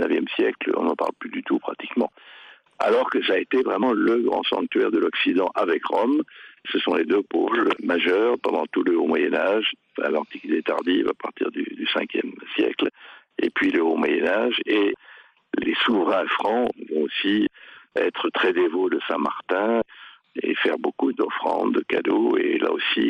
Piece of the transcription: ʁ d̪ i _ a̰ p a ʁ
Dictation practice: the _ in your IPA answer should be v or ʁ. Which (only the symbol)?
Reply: v